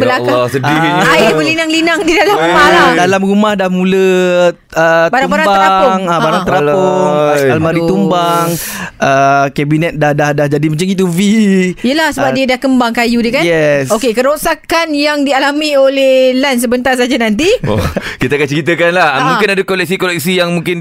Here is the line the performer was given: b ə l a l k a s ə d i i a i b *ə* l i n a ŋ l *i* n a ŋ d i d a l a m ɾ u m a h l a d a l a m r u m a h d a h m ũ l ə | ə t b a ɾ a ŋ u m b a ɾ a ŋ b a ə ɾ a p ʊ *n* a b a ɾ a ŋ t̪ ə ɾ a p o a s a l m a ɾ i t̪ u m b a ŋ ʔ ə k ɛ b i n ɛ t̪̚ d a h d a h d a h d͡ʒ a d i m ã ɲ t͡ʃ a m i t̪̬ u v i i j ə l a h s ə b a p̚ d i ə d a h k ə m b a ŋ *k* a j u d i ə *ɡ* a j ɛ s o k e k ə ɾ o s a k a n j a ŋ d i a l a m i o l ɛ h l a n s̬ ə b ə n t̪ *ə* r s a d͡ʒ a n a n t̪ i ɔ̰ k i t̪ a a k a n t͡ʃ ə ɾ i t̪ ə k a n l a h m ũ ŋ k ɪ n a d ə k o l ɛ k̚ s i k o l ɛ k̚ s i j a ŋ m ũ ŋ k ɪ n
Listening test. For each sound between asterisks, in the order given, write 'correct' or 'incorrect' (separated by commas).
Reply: correct, correct, incorrect, correct, incorrect, incorrect